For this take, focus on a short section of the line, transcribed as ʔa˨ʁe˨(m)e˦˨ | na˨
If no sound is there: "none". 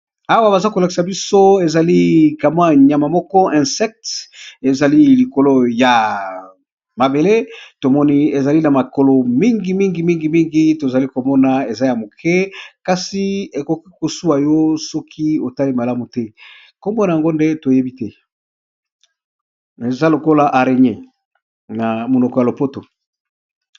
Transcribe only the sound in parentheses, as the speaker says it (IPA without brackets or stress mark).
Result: ɲ